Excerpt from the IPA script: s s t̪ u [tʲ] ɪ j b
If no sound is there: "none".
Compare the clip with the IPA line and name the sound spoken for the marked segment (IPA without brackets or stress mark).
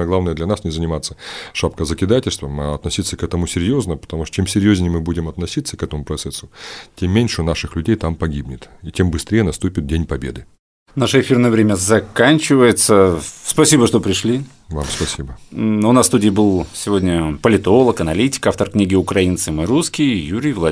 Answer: dʲ